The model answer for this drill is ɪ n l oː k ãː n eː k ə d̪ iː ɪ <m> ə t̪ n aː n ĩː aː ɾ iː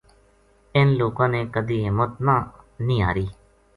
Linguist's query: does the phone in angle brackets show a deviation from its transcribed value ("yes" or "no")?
no